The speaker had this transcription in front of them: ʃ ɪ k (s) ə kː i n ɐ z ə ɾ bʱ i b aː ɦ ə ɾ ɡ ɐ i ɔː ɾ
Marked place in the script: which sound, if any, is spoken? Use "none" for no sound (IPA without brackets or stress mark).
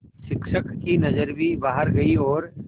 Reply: ʃ